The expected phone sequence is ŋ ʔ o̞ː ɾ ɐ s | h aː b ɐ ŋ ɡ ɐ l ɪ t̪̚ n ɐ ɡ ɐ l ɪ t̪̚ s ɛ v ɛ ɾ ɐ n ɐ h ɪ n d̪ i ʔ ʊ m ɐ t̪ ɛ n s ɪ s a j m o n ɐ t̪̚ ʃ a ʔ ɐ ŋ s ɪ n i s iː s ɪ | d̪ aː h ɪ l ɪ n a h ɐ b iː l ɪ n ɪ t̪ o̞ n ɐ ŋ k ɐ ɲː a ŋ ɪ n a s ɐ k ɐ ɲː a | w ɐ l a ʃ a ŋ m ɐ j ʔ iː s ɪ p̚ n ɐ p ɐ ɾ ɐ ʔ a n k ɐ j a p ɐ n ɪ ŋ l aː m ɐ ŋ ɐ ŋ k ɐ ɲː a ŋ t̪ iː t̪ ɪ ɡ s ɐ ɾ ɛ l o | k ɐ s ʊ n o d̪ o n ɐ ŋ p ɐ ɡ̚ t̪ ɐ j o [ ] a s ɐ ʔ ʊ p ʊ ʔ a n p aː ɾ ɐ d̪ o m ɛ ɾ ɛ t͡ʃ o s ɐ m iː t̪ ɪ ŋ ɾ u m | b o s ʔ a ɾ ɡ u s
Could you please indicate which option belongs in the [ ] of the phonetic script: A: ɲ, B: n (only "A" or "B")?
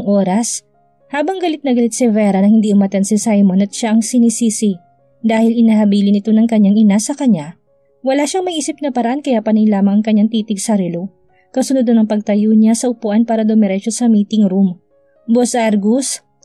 A